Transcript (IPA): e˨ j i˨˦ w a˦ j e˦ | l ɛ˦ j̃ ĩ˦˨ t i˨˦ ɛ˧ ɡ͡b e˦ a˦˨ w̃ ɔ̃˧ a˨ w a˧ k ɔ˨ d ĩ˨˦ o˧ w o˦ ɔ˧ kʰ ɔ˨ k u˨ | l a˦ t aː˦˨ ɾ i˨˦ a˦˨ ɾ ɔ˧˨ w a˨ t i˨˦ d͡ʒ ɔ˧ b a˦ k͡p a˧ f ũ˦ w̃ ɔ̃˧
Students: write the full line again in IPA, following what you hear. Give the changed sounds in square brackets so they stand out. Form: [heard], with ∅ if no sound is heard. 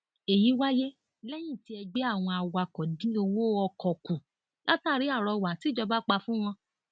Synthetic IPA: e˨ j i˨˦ w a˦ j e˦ | l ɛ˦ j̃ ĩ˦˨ t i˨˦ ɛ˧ ɡ͡b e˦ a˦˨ w̃ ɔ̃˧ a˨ w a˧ k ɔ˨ d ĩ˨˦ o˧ w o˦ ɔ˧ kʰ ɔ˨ k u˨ | l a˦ t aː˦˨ ɾ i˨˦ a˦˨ ɾ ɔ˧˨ w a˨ t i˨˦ d͡ʒ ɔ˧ b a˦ k͡p a˧ f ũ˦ w̃ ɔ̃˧